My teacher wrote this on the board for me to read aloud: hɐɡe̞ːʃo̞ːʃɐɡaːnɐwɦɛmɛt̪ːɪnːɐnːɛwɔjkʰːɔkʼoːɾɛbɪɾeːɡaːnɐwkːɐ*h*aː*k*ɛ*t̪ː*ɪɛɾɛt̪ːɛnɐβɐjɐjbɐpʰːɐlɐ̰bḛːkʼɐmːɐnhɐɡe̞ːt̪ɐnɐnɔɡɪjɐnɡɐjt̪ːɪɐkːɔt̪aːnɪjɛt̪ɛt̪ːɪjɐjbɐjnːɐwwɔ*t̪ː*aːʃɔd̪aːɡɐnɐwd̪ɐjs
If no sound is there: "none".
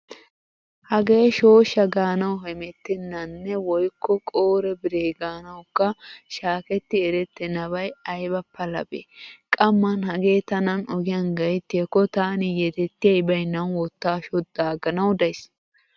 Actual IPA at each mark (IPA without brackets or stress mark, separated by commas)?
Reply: ʃ, k, t̪ː, t̪ː